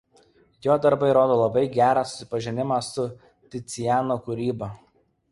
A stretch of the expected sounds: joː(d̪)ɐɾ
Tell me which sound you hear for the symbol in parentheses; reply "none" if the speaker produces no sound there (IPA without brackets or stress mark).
d̪